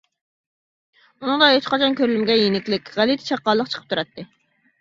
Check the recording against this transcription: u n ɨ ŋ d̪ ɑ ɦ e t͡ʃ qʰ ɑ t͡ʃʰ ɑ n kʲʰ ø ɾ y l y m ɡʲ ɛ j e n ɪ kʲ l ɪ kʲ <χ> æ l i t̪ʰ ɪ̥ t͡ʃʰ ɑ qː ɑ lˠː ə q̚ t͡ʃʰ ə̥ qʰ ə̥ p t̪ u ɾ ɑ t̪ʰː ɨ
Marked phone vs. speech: incorrect: ʁ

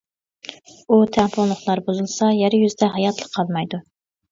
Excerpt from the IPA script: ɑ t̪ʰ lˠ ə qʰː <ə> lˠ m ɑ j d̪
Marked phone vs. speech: incorrect: ɑ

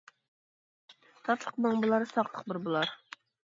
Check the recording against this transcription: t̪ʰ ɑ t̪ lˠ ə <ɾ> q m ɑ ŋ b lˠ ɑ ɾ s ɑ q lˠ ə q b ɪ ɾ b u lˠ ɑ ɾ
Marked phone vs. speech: incorrect: none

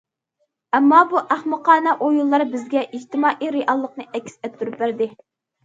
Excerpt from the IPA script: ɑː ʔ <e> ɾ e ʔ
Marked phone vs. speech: incorrect: i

